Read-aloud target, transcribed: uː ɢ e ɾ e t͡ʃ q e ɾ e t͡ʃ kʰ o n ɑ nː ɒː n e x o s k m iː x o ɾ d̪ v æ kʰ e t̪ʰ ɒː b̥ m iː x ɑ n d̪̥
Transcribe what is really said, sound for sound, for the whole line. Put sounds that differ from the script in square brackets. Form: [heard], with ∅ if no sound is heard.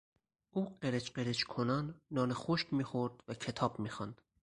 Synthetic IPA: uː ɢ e ɾ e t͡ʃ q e ɾ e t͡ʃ kʰ o n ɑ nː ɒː n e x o [ʃ] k m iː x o ɾ d̪ v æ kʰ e t̪ʰ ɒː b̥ m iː x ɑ n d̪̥